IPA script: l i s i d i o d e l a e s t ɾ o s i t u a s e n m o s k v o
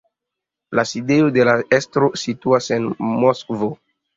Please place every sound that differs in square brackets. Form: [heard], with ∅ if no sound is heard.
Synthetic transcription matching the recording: l [a] s i d [e] o d e l a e s t ɾ o s i t u a s e n m o s k v o